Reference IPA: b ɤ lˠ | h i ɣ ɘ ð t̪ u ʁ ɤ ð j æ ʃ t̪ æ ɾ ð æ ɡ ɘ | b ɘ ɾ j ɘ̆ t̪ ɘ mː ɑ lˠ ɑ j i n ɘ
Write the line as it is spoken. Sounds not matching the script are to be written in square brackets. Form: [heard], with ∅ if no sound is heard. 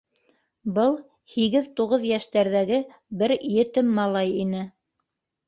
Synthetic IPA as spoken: b ɤ lˠ | h i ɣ ɘ ð t̪ u ʁ ɤ ð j æ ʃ t̪ æ ɾ ð æ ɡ ɘ | b ɘ ɾ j ɘ̆ t̪ ɘ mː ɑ lˠ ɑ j i n ɘ